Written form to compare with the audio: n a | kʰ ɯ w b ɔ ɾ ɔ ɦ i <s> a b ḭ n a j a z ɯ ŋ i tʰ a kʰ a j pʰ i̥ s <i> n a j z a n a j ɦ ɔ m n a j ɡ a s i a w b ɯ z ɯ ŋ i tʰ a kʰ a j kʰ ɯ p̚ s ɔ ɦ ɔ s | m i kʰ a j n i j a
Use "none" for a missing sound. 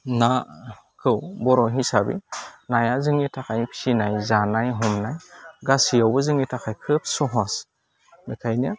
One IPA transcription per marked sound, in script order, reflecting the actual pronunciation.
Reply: s, i

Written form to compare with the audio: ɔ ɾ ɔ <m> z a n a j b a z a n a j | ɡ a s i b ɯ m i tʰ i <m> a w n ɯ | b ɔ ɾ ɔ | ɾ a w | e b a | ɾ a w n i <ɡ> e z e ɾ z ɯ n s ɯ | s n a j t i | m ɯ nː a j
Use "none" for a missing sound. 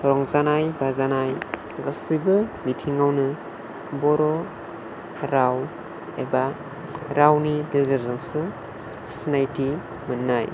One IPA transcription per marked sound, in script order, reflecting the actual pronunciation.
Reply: ŋ, ŋ, d

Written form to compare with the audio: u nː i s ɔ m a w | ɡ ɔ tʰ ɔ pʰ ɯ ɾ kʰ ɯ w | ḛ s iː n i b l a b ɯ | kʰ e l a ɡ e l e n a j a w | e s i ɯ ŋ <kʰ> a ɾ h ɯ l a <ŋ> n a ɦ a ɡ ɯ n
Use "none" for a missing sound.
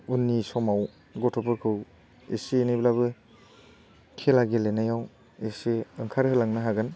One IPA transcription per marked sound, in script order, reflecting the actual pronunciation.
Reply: kʰ, ŋ

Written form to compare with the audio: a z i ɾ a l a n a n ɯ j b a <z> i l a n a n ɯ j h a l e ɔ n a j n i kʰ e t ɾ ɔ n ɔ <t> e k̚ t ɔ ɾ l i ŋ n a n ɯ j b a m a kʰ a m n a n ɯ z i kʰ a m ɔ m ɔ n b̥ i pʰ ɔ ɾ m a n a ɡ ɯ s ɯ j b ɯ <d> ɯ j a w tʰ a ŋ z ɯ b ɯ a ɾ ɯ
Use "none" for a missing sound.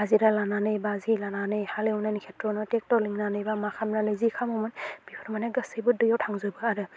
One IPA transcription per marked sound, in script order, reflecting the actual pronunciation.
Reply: z, t, d

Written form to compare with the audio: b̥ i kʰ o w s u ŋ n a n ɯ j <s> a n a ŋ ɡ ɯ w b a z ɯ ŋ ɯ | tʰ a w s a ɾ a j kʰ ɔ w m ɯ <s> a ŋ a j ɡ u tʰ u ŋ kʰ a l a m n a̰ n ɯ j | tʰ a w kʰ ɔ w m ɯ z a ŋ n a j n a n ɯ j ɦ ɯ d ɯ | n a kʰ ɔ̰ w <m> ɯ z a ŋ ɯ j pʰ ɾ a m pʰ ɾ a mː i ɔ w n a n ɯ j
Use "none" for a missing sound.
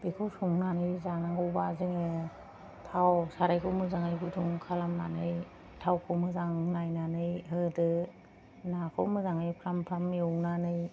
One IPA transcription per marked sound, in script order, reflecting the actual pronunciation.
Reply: z, z, m

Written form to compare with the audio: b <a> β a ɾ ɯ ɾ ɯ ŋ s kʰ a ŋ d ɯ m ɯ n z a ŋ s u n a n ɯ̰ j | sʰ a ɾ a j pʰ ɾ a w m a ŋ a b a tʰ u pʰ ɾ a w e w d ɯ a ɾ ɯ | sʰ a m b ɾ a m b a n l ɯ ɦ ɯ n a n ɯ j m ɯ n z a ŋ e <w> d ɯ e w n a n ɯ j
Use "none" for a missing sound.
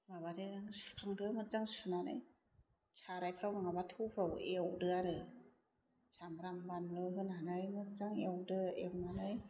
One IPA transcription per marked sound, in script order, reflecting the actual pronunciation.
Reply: a, w

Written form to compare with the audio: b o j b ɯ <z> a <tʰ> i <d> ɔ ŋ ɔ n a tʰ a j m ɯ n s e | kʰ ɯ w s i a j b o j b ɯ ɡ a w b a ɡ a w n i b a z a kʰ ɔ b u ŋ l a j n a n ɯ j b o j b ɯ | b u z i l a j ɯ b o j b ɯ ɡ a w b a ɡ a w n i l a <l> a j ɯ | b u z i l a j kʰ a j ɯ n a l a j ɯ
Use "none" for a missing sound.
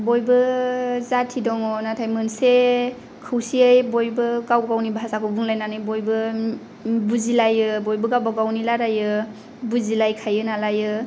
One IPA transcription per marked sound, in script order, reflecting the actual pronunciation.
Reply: z, tʰ, d, ɾ

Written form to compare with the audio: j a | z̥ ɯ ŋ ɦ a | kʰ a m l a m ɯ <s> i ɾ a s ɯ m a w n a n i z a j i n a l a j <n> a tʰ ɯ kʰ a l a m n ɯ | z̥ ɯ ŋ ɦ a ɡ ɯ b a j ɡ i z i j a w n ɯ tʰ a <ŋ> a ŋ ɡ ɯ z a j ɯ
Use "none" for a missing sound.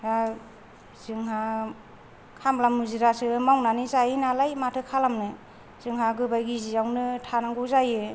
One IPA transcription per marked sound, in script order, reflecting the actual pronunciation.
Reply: z, m, n

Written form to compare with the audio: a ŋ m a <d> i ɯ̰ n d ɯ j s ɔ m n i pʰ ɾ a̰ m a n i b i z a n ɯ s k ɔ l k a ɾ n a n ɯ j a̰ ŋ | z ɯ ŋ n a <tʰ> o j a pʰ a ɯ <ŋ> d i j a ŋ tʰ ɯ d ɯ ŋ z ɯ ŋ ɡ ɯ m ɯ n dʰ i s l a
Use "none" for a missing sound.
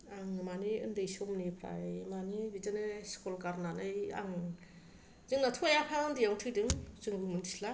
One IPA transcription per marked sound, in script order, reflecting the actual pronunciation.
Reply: n, tʰ, n

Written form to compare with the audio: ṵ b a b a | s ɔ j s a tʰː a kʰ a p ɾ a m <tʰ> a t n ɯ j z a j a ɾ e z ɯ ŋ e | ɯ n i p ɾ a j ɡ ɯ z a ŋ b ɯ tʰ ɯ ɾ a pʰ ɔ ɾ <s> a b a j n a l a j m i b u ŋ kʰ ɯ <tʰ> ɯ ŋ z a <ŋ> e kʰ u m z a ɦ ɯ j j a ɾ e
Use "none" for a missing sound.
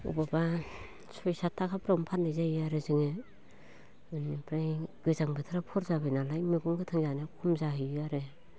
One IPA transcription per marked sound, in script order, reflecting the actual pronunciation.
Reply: pʰ, z, tʰ, n

